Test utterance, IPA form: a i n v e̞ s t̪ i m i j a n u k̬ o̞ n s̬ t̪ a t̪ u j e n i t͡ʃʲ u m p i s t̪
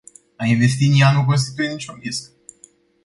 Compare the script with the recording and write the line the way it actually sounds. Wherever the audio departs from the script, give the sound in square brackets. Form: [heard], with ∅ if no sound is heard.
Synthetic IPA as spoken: a i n v e̞ s t̪ i [n] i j a n u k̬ o̞ n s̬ t̪ [i] t̪ u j e n i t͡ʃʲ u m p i s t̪